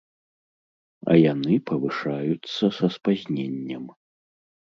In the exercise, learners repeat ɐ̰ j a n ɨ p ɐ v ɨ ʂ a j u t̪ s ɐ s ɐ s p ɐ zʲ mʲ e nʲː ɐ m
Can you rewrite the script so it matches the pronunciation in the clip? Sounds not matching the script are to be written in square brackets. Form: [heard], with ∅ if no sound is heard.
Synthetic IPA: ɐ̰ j a n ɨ p ɐ v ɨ ʂ a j u t̪ s ɐ s ɐ s p [a] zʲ [nʲ] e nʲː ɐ m

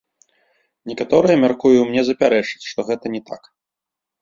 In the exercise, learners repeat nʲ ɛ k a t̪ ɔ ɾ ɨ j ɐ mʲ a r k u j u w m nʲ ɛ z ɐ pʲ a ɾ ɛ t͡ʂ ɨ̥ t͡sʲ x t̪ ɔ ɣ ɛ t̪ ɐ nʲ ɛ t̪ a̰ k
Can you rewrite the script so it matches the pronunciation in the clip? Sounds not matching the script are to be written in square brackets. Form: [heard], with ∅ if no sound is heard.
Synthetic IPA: nʲ ɛ k a t̪ ɔ ɾ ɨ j ɐ mʲ a r k u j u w m nʲ ɛ z ɐ pʲ a ɾ ɛ t͡ʂ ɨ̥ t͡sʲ [ʂ] t̪ ɔ ɣ ɛ t̪ ɐ nʲ ɛ t̪ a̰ k

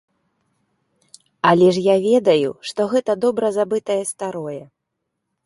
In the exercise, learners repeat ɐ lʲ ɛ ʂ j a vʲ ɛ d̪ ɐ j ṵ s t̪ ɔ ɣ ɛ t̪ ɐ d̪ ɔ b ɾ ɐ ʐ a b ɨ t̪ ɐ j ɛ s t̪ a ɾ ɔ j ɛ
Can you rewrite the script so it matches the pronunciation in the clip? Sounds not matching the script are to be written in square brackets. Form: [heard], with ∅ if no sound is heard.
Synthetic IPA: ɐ lʲ ɛ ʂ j a vʲ ɛ d̪ ɐ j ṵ [ʂ] t̪ ɔ ɣ ɛ t̪ ɐ d̪ ɔ b ɾ ɐ [z] a b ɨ t̪ ɐ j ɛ s t̪ a ɾ ɔ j ɛ

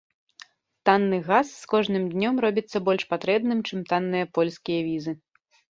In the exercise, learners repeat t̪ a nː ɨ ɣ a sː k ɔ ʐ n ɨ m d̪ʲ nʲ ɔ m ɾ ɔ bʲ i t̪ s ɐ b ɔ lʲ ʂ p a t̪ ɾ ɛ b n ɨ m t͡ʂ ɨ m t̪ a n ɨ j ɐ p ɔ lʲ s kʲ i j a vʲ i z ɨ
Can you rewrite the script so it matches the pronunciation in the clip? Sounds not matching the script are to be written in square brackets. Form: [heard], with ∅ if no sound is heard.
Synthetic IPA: t̪ a nː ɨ ɣ a sː k ɔ ʐ n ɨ m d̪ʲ nʲ ɔ m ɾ ɔ bʲ i t̪ [sː] ɐ b ɔ lʲ ʂ p a t̪ ɾ ɛ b n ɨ m t͡ʂ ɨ m t̪ a [nː] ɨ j ɐ p ɔ lʲ s kʲ i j [ɐ] vʲ i z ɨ

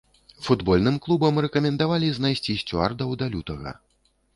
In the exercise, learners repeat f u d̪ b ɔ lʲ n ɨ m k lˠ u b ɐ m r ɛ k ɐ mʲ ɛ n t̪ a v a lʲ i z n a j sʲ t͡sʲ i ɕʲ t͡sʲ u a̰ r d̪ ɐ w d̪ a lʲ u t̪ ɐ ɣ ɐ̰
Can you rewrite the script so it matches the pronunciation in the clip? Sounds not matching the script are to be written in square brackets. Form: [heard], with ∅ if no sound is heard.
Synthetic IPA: f u d̪ b ɔ lʲ n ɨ m k lˠ u b ɐ m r ɛ k ɐ mʲ ɛ n [d̪] a v a lʲ i z n a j sʲ t͡sʲ i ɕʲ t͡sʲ u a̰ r d̪ ɐ w d̪ a lʲ u t̪ ɐ ɣ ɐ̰

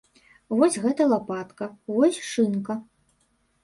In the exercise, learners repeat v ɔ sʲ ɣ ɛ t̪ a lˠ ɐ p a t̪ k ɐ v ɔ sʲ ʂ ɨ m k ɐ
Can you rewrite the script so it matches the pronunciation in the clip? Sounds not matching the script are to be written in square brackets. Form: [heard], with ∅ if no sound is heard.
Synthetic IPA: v ɔ sʲ ɣ ɛ t̪ [ɐ] lˠ [a] p a t̪ k ɐ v ɔ sʲ ʂ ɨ [n] k ɐ

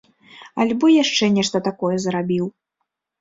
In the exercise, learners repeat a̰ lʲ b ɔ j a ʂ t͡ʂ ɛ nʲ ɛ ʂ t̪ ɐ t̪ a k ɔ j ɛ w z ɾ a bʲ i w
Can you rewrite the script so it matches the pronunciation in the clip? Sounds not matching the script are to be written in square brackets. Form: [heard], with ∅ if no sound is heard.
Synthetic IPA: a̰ lʲ b ɔ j a ʂ t͡ʂ ɛ nʲ ɛ ʂ t̪ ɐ t̪ a k ɔ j ɛ [∅] z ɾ a bʲ i w

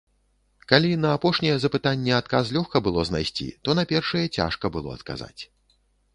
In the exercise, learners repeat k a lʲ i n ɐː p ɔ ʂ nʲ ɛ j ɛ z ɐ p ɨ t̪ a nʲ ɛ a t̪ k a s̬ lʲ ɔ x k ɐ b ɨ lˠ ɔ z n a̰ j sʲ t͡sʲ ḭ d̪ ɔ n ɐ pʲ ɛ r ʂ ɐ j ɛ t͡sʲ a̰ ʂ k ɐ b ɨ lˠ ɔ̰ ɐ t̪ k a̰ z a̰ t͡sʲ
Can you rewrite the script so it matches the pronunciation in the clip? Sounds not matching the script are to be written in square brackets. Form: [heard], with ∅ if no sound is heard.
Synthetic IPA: k a lʲ i n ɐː p ɔ ʂ nʲ ɛ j ɛ z ɐ p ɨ t̪ a [nʲː] ɛ a t̪ k a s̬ lʲ ɔ x k ɐ b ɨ lˠ ɔ z n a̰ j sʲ t͡sʲ ḭ [t̪] ɔ n ɐ pʲ ɛ r ʂ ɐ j ɛ t͡sʲ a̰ ʂ k ɐ b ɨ lˠ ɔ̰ ɐ t̪ k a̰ z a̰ t͡sʲ

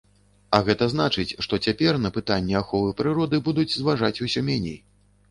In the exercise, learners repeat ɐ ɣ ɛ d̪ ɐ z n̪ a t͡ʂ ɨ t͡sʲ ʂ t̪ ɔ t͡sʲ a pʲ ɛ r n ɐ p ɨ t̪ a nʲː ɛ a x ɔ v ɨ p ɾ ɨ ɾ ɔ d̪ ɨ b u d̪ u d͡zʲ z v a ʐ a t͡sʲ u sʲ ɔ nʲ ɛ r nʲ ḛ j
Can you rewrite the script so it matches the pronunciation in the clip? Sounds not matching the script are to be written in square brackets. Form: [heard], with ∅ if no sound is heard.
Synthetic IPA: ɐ ɣ ɛ [t̪] ɐ z n̪ a t͡ʂ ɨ t͡sʲ ʂ t̪ ɔ t͡sʲ a pʲ ɛ r n ɐ p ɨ t̪ a nʲː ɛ a x ɔ v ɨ p ɾ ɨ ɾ ɔ d̪ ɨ b u d̪ u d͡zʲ z v a ʐ a t͡sʲ u sʲ ɔ [mʲ] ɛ [∅] nʲ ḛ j

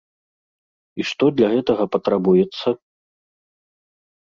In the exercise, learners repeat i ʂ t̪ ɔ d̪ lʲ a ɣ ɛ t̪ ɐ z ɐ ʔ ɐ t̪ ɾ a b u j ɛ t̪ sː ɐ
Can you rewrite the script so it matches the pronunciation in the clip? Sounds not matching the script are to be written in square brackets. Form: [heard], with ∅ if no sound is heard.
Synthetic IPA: i ʂ t̪ ɔ d̪ lʲ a ɣ ɛ t̪ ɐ [ɣ] ɐ [p] ɐ t̪ ɾ a b u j ɛ t̪ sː ɐ

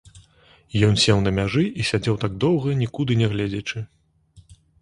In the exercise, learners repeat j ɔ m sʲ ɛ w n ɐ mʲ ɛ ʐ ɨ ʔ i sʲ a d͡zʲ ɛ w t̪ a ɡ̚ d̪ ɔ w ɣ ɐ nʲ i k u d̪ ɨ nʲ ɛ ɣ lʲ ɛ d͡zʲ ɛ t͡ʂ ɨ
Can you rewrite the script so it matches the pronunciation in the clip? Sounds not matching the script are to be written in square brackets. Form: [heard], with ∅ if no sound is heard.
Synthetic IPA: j ɔ [n] sʲ ɛ w n ɐ mʲ [a] ʐ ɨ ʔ i sʲ a d͡zʲ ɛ w t̪ a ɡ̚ d̪ ɔ w ɣ ɐ nʲ i k u d̪ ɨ nʲ ɛ ɣ lʲ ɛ d͡zʲ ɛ t͡ʂ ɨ

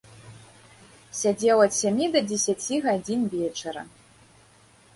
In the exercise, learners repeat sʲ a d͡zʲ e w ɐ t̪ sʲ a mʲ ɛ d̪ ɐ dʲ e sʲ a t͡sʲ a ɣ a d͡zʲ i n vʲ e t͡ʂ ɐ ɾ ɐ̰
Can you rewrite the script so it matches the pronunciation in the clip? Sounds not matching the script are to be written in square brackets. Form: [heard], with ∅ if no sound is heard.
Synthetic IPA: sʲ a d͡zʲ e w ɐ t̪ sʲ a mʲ [i] d̪ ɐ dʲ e sʲ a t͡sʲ [i] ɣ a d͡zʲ i n vʲ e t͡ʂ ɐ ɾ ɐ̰

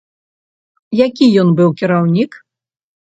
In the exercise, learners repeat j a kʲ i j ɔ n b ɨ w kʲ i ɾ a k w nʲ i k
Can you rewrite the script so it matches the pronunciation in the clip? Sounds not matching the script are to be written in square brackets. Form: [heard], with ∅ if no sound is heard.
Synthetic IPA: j a kʲ i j ɔ n b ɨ w kʲ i ɾ a [∅] w nʲ i k

